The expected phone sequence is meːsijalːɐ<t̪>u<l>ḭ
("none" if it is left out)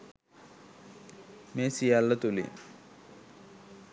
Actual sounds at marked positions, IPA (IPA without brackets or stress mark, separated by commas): t̪, l